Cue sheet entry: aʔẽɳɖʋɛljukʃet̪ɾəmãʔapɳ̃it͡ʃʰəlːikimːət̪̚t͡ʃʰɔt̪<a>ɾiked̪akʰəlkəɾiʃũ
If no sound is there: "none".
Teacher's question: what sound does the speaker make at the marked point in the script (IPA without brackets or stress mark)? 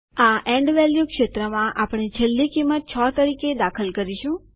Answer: ə